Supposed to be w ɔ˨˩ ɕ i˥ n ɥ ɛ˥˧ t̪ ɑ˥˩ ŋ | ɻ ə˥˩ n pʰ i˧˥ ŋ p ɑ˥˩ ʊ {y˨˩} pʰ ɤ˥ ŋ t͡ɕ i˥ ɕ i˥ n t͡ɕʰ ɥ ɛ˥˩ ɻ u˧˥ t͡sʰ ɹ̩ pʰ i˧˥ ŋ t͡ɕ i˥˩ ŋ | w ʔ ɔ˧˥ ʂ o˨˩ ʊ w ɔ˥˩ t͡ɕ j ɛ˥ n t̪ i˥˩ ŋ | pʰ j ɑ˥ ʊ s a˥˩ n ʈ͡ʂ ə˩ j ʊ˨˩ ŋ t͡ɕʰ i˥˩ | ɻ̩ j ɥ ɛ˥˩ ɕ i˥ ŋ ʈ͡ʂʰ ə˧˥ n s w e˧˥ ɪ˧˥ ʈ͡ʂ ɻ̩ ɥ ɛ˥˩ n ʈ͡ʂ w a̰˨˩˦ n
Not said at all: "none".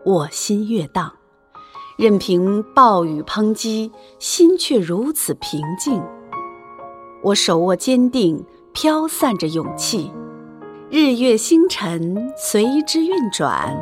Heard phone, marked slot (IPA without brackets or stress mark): y˨˩